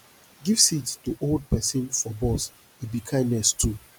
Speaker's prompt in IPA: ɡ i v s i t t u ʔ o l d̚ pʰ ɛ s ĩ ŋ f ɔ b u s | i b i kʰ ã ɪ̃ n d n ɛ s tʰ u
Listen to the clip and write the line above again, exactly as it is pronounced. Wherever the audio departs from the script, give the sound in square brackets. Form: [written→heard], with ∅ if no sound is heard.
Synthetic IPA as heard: ɡ i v s i t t u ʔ o l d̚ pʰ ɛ s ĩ [ŋ→n] f ɔ b [u→ɔ] s | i b i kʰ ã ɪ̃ n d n ɛ s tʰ u